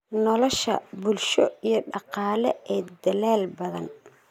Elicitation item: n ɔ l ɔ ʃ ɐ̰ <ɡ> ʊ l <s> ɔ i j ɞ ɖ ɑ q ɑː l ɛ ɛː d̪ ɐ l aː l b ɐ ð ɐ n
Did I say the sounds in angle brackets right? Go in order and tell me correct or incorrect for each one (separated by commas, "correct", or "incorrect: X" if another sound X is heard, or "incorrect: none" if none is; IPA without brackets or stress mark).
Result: incorrect: b, incorrect: ʃ